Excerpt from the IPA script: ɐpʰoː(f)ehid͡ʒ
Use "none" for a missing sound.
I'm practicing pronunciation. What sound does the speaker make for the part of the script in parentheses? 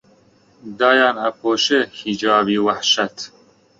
ʃ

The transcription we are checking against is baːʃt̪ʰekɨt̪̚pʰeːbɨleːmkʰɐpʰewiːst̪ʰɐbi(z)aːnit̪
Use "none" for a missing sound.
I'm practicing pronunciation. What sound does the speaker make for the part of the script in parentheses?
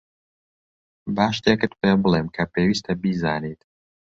z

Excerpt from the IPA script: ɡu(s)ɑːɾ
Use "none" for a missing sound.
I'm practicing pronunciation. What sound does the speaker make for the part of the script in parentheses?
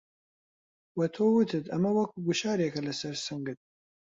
ʃ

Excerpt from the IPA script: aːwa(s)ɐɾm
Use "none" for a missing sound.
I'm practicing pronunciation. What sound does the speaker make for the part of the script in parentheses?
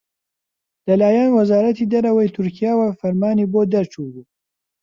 f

